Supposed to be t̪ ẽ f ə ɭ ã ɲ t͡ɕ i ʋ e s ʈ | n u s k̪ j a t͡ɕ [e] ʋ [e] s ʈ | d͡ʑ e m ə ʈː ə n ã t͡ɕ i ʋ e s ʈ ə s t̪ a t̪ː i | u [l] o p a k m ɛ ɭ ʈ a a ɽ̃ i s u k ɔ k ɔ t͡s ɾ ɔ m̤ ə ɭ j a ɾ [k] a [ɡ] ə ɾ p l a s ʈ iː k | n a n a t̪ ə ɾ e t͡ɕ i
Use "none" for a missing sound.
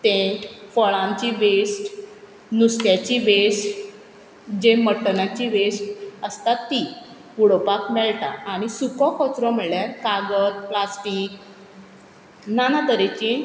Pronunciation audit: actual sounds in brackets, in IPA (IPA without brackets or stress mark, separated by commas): i, e, ɽ, k, ɡ